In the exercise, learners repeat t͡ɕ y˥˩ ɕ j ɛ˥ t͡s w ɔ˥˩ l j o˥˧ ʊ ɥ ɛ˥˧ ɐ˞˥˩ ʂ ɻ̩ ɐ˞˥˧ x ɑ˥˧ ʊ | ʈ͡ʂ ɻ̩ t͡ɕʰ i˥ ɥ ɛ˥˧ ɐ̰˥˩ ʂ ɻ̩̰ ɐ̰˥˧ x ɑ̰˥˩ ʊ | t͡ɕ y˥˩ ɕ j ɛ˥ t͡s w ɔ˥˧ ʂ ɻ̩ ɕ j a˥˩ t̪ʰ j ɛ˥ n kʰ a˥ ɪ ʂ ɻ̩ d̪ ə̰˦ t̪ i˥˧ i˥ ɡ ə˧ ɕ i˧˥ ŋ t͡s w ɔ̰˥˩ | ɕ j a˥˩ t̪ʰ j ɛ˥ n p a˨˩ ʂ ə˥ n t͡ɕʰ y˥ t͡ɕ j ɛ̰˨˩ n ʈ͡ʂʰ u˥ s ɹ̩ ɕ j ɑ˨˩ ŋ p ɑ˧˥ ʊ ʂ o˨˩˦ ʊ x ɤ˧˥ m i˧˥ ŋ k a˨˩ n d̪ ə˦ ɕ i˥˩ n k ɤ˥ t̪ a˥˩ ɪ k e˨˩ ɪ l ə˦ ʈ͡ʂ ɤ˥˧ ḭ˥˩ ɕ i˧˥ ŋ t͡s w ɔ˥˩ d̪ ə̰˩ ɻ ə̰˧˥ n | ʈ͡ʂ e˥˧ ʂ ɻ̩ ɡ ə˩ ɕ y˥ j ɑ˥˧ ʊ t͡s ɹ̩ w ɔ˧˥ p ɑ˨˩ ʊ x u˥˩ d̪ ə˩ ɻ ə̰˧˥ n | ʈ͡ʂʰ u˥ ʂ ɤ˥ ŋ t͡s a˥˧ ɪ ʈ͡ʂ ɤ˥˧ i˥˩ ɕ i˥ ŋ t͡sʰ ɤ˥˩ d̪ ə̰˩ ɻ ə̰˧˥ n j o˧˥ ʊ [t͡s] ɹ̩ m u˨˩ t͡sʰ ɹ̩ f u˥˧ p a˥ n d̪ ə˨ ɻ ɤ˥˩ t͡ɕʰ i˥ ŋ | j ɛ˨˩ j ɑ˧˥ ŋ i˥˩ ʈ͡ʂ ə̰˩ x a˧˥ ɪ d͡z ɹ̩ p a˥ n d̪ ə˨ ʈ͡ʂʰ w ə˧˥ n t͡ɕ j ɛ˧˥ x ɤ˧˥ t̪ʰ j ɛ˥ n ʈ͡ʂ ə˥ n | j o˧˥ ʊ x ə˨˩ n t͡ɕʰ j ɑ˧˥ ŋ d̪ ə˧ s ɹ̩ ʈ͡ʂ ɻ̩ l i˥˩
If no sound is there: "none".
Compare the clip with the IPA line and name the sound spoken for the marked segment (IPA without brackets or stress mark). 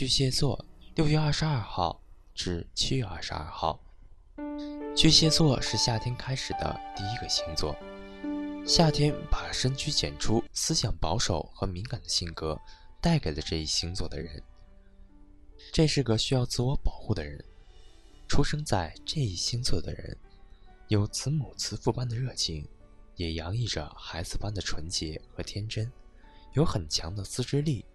t͡sʰ